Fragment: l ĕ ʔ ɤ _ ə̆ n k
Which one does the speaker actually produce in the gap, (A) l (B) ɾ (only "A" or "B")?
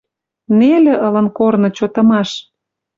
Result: A